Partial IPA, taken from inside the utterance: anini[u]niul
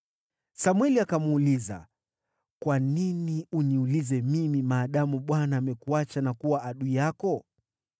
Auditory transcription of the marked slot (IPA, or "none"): u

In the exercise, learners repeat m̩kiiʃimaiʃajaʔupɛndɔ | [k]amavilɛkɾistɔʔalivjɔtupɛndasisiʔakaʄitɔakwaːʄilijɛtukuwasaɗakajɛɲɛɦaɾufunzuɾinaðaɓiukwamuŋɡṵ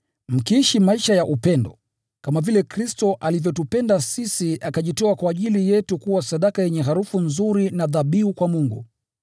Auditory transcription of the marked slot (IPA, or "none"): k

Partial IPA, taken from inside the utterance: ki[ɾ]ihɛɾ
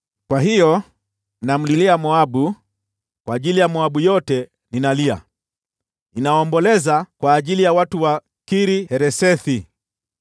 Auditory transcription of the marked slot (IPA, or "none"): ɾ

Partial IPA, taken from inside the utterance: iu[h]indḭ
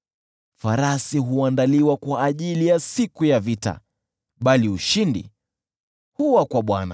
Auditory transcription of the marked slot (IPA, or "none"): ʃ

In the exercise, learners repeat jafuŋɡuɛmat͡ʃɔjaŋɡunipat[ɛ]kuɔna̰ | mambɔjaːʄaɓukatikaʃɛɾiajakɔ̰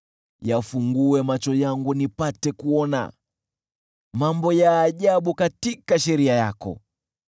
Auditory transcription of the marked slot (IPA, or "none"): ɛ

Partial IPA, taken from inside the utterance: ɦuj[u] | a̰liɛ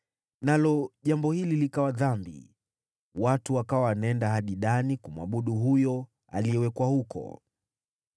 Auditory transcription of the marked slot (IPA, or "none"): ɔ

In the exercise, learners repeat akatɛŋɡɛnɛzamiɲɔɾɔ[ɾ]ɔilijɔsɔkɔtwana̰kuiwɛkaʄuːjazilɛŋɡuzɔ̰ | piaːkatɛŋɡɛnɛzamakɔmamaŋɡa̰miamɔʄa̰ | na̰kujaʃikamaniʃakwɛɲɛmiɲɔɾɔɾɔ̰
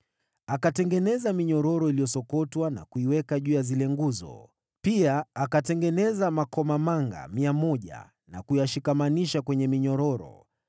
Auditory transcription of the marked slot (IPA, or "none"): ɾ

